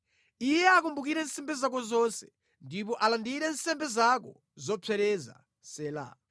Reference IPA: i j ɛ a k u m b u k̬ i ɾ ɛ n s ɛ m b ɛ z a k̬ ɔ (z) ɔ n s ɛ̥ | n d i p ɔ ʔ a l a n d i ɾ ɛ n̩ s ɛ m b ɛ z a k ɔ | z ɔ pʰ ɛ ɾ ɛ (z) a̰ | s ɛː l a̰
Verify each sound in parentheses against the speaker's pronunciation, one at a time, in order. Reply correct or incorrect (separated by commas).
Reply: correct, correct